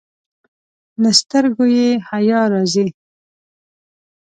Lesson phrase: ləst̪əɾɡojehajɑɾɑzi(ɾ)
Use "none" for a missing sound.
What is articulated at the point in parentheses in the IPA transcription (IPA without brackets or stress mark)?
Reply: l